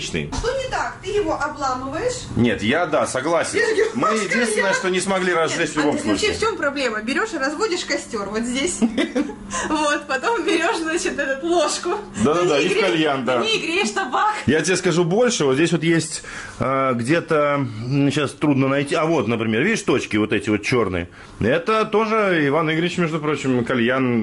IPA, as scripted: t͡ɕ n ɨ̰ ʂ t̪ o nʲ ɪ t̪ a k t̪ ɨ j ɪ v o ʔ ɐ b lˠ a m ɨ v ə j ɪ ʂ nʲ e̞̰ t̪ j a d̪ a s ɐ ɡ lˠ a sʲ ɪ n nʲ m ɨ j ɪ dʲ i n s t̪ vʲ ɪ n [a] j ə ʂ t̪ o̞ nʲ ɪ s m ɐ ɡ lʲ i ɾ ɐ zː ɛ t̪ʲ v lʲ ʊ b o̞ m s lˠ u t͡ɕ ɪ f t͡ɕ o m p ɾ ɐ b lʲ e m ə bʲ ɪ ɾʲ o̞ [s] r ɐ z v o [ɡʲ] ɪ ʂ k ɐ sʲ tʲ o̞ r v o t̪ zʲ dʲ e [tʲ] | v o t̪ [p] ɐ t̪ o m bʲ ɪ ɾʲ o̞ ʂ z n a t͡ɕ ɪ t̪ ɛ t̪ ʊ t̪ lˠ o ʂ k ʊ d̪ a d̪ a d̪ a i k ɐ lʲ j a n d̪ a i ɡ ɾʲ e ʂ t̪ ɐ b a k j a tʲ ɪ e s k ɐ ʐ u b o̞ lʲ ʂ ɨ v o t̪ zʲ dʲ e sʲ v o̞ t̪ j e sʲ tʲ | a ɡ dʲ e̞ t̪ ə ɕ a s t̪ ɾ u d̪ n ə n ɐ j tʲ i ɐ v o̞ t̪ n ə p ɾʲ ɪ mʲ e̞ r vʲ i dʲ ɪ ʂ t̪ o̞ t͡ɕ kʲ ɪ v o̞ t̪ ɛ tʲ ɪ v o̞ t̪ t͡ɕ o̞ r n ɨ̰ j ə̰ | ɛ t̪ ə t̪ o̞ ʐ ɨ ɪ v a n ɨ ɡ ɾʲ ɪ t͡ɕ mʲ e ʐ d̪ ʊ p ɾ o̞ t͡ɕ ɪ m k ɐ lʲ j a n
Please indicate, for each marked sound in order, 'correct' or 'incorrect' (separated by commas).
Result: incorrect, incorrect, incorrect, incorrect, correct